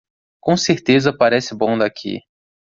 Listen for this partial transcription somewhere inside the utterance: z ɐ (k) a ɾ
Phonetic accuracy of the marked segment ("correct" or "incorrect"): incorrect